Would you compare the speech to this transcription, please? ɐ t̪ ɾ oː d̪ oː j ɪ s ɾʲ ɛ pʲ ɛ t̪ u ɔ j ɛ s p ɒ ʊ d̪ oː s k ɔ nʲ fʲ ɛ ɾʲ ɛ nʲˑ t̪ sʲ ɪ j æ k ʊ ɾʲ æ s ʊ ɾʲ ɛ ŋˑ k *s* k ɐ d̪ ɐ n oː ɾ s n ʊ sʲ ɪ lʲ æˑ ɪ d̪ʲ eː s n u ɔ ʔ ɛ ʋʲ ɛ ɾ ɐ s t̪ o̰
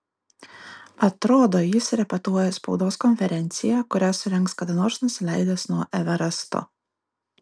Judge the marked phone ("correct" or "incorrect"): correct